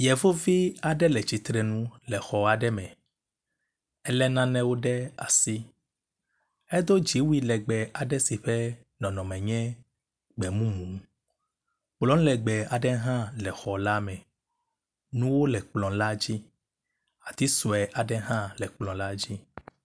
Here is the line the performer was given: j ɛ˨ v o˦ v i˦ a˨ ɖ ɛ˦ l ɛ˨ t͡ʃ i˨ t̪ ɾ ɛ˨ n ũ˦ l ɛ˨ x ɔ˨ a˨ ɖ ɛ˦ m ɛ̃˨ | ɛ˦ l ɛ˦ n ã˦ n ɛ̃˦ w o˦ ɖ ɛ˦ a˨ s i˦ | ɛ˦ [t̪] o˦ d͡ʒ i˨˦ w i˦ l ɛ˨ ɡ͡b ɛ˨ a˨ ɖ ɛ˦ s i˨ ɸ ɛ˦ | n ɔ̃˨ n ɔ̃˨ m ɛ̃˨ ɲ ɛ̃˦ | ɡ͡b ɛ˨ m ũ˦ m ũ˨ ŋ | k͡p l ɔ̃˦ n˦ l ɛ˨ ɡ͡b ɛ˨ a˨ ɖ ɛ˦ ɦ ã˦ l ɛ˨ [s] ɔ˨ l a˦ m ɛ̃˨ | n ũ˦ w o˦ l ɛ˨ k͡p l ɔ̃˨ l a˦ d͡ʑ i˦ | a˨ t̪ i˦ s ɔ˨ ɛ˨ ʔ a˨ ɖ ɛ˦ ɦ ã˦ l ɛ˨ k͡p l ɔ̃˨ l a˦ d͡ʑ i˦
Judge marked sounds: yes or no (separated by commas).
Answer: no, no